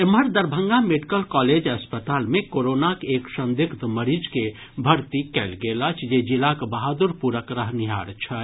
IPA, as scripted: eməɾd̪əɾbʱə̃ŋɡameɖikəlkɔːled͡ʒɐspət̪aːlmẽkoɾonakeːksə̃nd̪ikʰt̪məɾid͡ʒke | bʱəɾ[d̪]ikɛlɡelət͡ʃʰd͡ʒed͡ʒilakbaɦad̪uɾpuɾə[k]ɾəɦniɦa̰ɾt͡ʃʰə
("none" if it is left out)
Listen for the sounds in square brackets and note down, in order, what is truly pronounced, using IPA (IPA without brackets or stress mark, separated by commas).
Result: t̪, k